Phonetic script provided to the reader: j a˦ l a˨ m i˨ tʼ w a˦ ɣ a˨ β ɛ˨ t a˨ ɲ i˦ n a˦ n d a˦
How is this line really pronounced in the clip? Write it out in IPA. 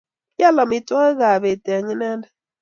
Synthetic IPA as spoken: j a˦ l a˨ m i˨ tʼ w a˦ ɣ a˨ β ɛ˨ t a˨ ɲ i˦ n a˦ n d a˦